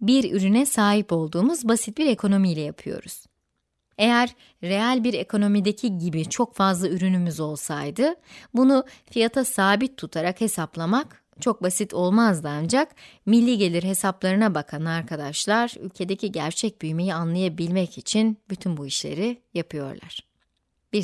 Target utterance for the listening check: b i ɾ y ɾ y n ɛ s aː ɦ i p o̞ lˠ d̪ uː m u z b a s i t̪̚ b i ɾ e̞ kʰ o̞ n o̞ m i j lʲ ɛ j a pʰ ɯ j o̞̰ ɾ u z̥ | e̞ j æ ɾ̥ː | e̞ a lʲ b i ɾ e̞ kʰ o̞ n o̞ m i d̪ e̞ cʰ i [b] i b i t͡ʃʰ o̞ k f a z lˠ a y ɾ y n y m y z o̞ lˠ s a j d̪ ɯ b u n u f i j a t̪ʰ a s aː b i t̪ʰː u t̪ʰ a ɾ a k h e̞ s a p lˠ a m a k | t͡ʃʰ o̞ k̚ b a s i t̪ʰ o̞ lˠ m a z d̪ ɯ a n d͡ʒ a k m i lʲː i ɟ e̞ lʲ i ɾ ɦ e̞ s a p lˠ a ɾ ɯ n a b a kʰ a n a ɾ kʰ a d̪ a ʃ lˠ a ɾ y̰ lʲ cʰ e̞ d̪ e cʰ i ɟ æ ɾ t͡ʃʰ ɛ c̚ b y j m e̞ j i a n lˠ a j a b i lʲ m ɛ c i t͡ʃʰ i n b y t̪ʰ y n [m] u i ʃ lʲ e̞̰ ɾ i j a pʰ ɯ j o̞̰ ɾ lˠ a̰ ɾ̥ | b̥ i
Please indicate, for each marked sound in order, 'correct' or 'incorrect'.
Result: incorrect, incorrect

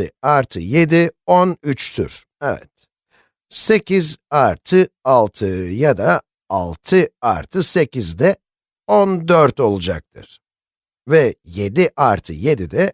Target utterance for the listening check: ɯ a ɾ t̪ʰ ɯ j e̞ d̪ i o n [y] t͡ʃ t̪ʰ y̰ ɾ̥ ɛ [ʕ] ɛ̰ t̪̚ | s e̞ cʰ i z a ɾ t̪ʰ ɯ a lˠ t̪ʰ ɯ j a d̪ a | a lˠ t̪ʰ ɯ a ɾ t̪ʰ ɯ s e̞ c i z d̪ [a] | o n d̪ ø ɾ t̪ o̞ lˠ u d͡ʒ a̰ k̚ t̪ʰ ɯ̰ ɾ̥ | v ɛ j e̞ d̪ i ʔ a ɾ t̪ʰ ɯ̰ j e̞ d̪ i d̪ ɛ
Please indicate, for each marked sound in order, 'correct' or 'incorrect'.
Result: correct, incorrect, incorrect

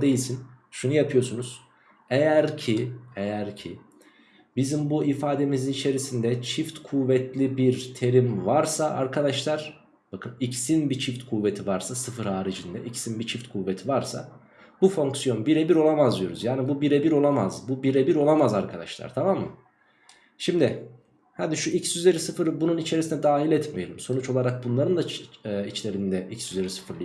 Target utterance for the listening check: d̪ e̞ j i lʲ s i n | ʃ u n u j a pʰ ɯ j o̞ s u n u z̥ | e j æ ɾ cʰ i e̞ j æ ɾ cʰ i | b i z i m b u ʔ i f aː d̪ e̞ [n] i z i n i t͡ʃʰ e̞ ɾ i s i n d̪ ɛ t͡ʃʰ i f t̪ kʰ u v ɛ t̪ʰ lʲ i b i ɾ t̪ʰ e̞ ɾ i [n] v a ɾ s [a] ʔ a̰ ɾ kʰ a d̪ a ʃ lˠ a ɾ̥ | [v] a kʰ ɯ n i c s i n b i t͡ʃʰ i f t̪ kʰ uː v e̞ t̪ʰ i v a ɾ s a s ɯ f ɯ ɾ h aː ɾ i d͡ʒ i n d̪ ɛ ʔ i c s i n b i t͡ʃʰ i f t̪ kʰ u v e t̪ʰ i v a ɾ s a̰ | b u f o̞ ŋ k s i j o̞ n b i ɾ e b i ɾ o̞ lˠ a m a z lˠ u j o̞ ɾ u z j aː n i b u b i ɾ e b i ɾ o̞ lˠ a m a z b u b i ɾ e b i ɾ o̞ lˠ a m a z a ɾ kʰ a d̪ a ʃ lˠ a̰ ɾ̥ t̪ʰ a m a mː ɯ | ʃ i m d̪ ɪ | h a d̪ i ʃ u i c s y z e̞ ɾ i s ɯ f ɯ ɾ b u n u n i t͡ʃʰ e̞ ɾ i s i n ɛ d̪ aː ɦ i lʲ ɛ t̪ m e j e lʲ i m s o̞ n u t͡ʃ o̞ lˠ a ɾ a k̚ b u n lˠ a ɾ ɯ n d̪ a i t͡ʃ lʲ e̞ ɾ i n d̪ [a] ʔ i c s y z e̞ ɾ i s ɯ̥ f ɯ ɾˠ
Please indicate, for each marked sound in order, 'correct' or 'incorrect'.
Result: incorrect, incorrect, correct, incorrect, incorrect

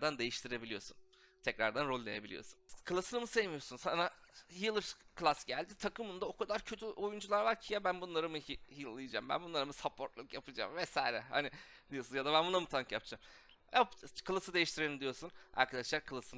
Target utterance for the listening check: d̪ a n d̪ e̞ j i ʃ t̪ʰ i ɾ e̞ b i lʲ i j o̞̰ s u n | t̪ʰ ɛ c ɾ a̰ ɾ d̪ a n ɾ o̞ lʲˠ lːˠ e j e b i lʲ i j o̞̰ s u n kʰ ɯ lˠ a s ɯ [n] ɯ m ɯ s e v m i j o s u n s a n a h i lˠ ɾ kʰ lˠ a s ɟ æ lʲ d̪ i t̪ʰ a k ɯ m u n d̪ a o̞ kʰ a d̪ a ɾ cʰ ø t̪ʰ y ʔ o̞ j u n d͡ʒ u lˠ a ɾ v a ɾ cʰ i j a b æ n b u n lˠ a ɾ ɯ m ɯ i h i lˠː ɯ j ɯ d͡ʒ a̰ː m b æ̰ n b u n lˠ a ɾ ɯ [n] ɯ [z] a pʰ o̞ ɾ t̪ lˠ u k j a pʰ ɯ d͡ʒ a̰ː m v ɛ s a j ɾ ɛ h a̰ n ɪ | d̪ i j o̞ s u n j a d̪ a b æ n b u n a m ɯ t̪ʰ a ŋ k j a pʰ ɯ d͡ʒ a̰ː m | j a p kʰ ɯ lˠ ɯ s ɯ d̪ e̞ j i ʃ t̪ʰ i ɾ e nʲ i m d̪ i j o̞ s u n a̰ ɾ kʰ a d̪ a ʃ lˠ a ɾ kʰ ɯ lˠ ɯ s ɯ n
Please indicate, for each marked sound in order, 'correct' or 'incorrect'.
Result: correct, incorrect, incorrect

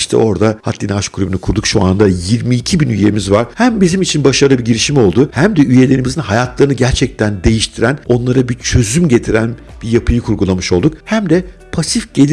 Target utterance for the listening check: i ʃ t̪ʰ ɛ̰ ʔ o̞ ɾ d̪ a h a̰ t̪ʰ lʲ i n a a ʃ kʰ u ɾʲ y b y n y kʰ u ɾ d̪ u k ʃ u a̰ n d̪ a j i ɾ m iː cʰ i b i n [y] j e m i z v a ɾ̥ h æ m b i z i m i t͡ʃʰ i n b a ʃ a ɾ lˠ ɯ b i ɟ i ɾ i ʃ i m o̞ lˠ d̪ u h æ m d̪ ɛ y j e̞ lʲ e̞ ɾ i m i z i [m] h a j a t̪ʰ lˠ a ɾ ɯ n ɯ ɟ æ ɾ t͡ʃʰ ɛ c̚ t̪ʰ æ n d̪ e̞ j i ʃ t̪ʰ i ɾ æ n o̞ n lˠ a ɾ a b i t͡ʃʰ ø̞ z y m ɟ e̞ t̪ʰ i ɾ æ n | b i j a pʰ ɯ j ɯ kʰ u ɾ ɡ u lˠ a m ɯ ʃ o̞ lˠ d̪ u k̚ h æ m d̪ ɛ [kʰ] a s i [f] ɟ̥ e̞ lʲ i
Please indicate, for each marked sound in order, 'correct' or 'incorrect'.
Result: correct, incorrect, incorrect, correct

